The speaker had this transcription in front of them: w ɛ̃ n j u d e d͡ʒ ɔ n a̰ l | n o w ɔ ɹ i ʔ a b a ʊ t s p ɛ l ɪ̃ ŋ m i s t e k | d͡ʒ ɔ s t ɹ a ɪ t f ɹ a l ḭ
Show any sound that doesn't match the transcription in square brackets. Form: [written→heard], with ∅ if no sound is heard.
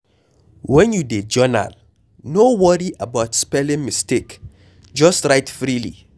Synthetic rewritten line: w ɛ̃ n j u d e d͡ʒ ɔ n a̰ l | n o w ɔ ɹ i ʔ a b a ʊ t s p ɛ l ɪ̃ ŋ m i s t e k | d͡ʒ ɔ s t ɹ a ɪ t f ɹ [a→i] l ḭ